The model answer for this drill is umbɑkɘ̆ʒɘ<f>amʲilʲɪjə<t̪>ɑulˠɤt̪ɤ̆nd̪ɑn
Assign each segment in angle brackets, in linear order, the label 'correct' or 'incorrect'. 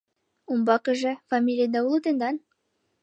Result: correct, incorrect

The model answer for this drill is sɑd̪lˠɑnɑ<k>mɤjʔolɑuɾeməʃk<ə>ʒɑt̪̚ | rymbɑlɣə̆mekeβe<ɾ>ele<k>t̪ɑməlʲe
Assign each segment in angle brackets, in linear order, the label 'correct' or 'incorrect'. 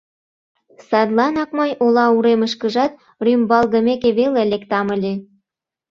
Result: correct, correct, incorrect, correct

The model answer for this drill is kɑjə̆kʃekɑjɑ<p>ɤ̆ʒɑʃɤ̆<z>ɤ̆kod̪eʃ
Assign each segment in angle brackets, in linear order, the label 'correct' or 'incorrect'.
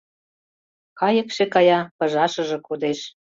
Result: correct, incorrect

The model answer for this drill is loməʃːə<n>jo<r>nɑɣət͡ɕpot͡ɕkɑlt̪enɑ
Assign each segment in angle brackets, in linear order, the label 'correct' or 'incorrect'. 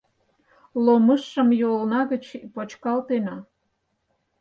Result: incorrect, incorrect

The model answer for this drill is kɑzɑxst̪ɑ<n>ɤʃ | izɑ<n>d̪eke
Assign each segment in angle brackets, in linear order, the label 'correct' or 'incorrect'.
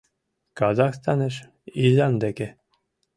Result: correct, correct

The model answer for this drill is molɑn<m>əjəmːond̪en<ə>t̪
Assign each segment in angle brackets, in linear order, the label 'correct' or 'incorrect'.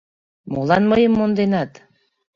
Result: correct, incorrect

